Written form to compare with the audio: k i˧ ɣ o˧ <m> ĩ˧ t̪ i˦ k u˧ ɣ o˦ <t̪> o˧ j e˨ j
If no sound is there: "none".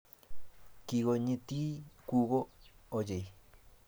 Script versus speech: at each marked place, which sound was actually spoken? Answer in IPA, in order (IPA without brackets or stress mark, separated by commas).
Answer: ɲ, none